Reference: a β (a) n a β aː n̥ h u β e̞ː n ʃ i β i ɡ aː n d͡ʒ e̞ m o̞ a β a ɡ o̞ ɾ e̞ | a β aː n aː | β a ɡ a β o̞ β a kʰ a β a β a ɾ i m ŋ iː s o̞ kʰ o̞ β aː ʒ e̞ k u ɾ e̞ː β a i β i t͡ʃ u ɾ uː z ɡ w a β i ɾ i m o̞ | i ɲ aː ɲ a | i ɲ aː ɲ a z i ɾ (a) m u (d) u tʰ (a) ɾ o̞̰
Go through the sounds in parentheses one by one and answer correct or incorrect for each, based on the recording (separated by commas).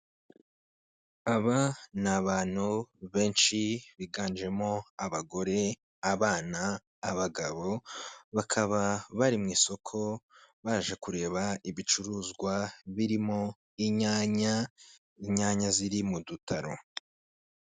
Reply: correct, incorrect, correct, correct